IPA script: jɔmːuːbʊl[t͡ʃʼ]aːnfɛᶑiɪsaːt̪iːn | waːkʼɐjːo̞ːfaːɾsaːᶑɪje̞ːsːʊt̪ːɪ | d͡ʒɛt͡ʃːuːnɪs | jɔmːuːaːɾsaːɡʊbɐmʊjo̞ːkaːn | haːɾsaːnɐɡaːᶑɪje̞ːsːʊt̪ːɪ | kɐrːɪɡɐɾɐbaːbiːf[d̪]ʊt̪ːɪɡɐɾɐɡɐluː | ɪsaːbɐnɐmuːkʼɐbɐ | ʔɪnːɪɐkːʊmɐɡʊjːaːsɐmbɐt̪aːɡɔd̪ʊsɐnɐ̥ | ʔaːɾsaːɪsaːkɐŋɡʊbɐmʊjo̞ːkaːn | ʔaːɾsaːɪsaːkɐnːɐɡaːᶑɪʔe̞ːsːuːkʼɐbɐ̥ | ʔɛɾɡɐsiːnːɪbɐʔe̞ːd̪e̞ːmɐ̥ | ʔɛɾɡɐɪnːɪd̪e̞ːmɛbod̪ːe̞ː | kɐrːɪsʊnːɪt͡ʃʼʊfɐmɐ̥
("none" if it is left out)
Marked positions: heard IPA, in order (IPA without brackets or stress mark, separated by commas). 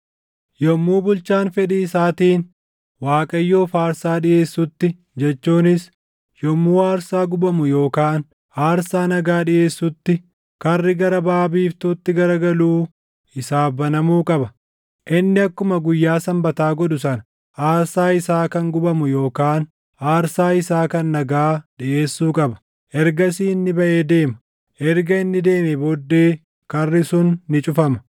t͡ʃ, t̪